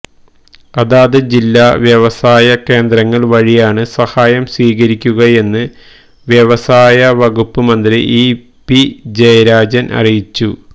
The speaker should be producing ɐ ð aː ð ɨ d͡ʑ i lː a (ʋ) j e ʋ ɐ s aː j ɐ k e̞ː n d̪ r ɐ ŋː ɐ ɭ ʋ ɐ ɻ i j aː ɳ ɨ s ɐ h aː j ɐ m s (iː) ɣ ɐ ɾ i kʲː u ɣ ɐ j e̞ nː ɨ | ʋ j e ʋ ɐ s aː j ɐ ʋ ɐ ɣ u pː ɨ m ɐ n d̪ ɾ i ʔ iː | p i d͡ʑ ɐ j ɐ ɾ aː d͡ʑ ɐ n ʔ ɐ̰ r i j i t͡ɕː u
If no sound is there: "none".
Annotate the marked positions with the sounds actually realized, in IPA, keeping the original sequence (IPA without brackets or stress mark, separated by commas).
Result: ʋ, iː